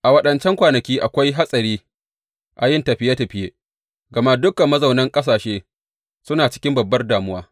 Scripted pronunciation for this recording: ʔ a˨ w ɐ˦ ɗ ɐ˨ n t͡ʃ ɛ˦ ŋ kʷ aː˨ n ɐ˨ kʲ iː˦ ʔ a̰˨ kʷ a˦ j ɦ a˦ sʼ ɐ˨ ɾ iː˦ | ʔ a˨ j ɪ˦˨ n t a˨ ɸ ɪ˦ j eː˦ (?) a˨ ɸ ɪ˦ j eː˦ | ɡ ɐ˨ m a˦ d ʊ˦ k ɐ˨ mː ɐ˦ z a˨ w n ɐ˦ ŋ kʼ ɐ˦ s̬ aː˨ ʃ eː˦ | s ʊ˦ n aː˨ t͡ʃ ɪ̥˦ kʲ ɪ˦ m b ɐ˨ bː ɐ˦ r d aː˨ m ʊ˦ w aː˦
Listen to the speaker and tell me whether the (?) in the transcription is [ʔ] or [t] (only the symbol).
t